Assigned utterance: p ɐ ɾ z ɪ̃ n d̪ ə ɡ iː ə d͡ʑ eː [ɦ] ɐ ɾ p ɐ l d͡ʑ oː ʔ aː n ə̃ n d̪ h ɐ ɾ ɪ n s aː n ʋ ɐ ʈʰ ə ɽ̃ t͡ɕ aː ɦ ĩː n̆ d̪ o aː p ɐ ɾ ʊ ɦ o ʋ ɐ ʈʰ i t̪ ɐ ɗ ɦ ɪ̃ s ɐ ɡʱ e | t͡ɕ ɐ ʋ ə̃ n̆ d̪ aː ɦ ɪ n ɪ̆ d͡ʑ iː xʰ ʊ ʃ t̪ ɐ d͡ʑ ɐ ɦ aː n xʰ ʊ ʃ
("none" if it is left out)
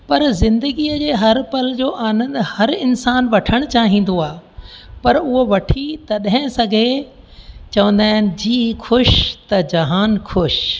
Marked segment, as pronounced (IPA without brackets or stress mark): ɦ